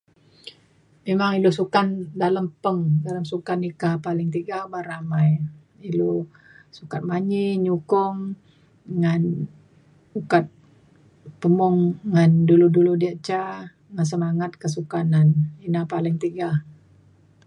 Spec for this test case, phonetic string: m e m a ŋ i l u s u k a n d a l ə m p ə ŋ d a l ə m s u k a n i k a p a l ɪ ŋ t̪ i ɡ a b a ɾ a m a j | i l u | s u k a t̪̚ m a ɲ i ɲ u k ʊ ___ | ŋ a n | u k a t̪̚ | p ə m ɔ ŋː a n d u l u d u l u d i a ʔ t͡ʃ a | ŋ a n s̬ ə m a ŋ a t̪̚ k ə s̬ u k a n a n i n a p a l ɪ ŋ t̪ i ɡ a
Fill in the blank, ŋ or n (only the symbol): ŋ